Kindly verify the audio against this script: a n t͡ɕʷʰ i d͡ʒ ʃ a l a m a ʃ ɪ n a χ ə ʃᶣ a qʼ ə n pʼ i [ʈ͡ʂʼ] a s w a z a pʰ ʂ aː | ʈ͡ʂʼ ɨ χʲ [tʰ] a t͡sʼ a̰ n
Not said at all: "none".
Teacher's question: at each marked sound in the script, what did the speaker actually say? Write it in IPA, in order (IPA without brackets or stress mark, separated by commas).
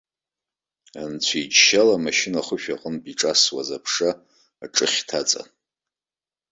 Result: ʈ͡ʂʼ, tʰ